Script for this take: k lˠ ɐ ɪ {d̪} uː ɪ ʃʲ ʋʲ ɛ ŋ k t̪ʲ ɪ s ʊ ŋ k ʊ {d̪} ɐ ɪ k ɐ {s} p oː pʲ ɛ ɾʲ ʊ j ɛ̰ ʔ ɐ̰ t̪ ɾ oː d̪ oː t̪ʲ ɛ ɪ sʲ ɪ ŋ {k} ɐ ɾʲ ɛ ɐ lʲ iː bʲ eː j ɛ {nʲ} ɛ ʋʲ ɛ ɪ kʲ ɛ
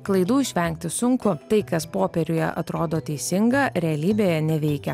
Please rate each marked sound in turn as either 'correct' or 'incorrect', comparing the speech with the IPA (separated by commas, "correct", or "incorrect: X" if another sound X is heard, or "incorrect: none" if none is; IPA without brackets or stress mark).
correct, incorrect: t̪, correct, incorrect: ɡ, correct